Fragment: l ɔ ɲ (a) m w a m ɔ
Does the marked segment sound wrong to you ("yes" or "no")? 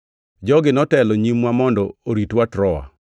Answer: yes